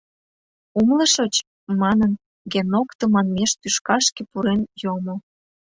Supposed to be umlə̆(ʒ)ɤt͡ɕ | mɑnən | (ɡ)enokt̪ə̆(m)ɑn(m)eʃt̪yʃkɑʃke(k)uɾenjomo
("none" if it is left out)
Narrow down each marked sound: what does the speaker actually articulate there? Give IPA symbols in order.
ʃ, ɡ, m, m, p

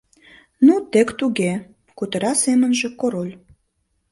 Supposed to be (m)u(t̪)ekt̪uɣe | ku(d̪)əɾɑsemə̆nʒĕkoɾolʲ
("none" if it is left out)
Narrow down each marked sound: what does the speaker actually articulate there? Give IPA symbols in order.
n, t̪, t̪

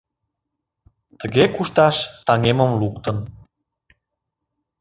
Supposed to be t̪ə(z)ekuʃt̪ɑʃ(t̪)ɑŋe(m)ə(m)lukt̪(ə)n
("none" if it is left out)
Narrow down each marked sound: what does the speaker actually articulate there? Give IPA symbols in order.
ɣ, t̪, m, m, ə

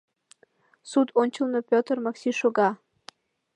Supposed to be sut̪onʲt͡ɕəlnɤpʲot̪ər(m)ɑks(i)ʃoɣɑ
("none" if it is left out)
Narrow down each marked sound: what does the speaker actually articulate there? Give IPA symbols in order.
m, i

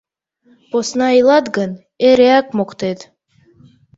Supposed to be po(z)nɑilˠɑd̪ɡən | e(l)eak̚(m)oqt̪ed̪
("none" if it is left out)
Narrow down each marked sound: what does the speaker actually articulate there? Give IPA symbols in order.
s, ɾ, m

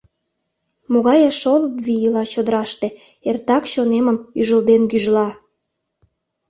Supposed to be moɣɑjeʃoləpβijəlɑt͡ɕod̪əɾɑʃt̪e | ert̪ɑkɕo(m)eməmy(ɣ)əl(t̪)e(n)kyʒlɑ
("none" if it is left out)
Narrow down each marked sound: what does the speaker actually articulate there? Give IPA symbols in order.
n, ʒ, d̪, n

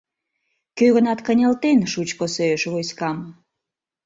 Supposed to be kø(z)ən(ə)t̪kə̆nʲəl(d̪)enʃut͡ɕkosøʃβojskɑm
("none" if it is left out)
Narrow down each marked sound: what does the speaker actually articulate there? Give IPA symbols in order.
ɣ, ɑ, t̪

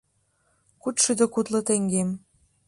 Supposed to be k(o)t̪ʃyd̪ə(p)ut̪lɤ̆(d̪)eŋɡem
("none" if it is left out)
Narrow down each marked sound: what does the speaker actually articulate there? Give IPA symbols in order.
u, k, t̪

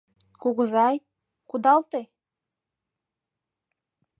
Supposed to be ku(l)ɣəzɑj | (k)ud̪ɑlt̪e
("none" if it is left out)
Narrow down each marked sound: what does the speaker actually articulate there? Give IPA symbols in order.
none, k

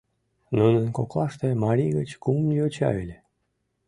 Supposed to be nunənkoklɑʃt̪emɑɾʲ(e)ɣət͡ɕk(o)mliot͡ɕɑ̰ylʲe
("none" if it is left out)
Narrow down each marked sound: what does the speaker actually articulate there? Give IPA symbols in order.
i, u

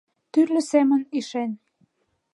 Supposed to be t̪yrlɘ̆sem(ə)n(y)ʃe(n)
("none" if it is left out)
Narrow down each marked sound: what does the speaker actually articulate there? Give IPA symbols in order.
ə, i, n

